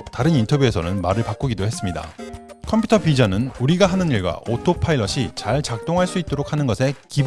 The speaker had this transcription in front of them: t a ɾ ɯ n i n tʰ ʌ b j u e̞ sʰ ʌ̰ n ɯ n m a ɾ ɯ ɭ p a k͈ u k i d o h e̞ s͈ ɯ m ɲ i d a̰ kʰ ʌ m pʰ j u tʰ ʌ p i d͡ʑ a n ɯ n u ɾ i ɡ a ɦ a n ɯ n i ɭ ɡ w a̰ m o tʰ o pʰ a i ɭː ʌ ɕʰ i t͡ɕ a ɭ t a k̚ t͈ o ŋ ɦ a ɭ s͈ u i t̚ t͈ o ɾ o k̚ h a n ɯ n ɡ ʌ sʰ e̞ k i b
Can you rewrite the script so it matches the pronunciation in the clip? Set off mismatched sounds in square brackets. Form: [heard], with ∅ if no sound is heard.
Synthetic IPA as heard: t a ɾ ɯ n i n tʰ ʌ b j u e̞ sʰ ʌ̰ n ɯ n m a ɾ ɯ ɭ p a k͈ u [ɡ] i d o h e̞ s͈ ɯ m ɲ i d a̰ kʰ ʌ m pʰ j u tʰ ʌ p i d͡ʑ a n ɯ n u ɾ i ɡ a ɦ a n ɯ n i ɭ ɡ w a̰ [∅] o tʰ o pʰ a i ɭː ʌ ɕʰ i t͡ɕ a ɭ [t͡ɕ] a k̚ t͈ o ŋ ɦ a ɭ s͈ u i t̚ t͈ o ɾ o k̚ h a n ɯ n ɡ ʌ sʰ e̞ k i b